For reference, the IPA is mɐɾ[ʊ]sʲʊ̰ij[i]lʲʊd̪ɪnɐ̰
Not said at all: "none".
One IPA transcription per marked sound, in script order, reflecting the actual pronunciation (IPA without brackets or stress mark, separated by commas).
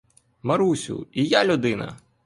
u, a